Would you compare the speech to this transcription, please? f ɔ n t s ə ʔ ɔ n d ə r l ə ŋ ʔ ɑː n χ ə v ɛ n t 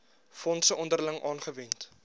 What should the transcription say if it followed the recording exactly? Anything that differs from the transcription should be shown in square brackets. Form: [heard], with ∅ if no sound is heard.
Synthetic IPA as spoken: f ɔ n t s ə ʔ ɔ n d ə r l ə ŋ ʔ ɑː n χ ə v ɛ n t